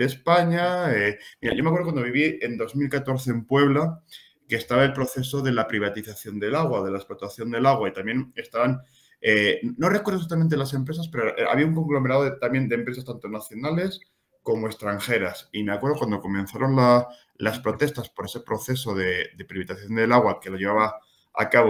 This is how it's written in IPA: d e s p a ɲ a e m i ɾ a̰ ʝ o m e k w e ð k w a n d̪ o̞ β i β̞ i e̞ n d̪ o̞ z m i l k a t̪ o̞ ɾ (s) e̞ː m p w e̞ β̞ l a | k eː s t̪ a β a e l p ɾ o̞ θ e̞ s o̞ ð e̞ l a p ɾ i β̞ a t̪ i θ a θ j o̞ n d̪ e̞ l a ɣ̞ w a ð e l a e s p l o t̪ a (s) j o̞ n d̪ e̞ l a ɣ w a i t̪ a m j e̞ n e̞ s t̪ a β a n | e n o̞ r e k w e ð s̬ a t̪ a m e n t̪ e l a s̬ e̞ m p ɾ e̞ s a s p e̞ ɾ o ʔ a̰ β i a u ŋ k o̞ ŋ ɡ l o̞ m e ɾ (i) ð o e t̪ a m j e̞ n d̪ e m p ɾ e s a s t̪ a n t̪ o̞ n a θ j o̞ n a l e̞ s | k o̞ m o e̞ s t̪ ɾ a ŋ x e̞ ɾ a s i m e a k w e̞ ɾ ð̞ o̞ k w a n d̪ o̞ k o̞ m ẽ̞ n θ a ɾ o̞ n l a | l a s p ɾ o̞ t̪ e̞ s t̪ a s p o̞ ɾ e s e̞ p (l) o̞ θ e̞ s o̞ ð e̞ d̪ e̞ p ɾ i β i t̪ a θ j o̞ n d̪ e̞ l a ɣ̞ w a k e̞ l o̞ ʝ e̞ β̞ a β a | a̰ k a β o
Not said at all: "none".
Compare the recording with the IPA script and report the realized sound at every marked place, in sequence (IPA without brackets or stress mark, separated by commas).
θ, θ, a, ɾ